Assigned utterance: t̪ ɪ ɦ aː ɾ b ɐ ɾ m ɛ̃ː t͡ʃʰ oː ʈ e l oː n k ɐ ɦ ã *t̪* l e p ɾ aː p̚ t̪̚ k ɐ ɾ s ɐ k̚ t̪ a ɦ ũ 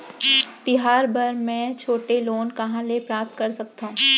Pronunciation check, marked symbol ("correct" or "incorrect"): incorrect